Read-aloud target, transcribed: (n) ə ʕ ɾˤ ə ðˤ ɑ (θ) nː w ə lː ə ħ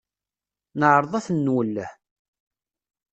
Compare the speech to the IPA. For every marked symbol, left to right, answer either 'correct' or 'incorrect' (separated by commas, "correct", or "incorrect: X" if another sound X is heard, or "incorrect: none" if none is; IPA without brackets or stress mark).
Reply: correct, correct